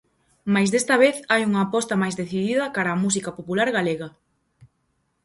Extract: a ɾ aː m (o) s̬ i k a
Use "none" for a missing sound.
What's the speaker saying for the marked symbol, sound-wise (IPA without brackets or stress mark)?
u